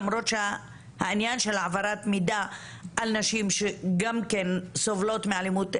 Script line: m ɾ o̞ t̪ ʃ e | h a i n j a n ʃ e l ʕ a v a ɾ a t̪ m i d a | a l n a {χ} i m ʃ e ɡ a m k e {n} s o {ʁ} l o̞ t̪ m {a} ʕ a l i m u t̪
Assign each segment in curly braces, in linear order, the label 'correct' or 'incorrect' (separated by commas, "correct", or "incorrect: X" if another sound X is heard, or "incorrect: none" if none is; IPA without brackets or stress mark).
incorrect: ʃ, correct, incorrect: v, incorrect: e